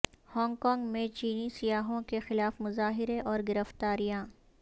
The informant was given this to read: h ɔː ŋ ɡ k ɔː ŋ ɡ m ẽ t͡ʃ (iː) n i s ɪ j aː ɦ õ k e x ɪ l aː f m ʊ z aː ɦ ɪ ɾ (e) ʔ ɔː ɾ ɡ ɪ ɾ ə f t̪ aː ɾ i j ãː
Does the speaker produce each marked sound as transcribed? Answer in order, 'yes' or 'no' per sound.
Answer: yes, yes

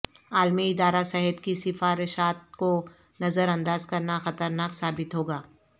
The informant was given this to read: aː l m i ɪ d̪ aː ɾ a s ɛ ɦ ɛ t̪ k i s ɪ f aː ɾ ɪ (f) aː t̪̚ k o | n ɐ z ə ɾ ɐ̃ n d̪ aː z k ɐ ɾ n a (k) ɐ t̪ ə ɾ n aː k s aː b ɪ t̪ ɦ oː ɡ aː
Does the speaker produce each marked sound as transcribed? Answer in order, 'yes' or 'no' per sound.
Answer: no, no

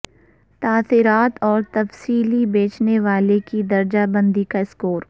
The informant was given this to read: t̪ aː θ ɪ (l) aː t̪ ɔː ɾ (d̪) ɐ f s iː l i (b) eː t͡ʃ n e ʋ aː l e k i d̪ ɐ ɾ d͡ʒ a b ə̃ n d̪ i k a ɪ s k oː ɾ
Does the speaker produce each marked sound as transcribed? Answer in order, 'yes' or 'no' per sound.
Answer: no, no, yes

